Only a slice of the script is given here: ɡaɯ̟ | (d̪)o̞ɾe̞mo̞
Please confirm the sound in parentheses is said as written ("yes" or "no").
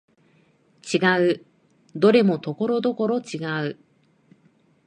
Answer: yes